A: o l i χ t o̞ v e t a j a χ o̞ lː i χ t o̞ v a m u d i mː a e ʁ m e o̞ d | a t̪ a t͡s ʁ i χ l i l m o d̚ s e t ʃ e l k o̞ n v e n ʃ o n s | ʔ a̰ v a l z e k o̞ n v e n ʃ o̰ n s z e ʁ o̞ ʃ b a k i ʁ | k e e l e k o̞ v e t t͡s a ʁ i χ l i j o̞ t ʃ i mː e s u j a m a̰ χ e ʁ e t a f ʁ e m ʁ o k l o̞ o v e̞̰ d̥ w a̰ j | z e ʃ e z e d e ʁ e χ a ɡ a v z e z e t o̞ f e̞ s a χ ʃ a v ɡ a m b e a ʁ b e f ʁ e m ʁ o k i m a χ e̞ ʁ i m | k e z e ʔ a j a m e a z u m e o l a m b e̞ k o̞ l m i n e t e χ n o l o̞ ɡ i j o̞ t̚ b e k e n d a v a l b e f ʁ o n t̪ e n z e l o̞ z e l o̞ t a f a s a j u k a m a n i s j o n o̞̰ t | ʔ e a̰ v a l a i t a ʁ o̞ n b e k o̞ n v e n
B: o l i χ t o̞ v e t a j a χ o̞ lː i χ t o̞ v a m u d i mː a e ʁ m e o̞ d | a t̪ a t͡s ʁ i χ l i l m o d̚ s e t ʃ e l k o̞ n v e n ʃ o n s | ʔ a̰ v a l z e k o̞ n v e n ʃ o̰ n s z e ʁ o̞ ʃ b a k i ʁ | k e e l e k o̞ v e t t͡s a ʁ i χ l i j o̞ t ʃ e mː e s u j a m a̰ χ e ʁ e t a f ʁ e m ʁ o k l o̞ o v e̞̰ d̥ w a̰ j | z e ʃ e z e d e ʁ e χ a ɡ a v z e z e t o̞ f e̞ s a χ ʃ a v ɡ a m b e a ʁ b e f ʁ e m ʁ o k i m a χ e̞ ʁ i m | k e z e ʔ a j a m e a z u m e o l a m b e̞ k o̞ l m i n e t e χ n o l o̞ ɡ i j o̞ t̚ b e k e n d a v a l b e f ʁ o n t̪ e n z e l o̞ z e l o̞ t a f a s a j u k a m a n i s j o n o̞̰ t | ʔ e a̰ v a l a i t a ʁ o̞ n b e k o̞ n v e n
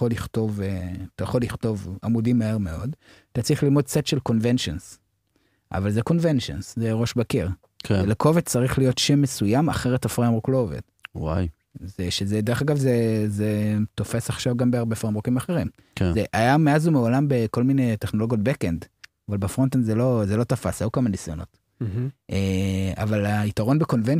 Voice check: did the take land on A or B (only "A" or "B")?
B